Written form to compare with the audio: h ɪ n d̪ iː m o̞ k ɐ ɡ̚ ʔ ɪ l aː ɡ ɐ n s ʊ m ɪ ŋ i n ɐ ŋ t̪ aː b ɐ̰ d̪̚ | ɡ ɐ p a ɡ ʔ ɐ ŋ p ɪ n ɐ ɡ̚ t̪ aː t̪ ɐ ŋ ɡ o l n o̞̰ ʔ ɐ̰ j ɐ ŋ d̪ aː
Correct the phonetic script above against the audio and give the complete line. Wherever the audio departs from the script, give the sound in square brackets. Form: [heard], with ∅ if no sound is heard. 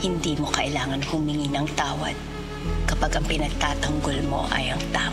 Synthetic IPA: h ɪ n d̪ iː m o̞ k ɐ [∅] ʔ ɪ l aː [ŋ] ɐ n [h] ʊ m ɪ ŋ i n ɐ ŋ t̪ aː [w] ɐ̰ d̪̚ | [k] ɐ p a ɡ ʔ ɐ ŋ p ɪ n ɐ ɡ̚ t̪ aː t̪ ɐ ŋ ɡ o l [m] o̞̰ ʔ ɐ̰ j ɐ ŋ [t̪] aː